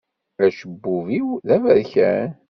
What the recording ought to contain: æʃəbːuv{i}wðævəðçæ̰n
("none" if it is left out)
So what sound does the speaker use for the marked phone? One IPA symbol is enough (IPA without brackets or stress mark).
i